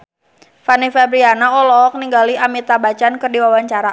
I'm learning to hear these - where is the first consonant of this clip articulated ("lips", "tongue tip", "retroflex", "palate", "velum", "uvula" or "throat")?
lips